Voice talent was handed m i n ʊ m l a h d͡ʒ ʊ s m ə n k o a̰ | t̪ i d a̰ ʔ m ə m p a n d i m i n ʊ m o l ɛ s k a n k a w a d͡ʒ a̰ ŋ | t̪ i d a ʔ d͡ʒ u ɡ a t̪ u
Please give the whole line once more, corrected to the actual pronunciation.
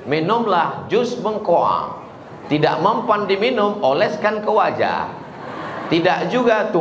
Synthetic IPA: m i n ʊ m l a h d͡ʒ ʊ s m ə ŋ k o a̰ | t̪ i d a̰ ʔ m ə m p a n d i m i n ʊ m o l ɛ s k a n k ə w a d͡ʒ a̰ | t̪ i d a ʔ d͡ʒ u ɡ a t̪ u